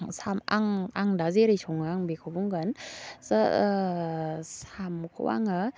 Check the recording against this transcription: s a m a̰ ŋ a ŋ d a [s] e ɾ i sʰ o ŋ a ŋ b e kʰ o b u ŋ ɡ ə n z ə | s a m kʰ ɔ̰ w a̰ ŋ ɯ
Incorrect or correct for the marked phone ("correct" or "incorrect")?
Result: incorrect